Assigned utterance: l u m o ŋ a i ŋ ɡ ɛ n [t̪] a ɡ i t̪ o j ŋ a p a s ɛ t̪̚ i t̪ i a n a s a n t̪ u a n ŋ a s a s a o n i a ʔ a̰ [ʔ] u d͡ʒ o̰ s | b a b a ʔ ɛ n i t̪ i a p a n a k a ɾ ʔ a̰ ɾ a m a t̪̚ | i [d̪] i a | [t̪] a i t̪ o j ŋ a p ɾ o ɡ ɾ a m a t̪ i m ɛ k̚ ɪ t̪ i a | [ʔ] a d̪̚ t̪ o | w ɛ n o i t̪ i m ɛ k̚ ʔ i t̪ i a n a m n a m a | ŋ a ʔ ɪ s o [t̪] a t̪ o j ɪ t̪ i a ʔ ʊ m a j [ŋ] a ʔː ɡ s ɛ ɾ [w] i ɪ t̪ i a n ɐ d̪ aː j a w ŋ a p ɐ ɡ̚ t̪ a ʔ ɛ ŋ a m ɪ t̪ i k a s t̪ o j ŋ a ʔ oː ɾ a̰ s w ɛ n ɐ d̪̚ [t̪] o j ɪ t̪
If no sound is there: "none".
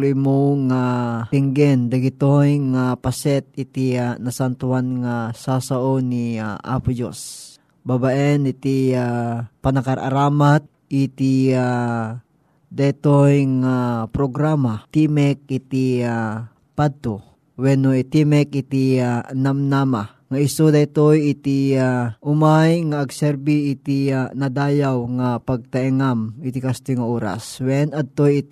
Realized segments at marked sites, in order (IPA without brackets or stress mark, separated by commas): d̪, p, t̪, d̪, p, d̪, ŋ, b, t̪